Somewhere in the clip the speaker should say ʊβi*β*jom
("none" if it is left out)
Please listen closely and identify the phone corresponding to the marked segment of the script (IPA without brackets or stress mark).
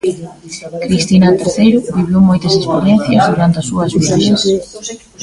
β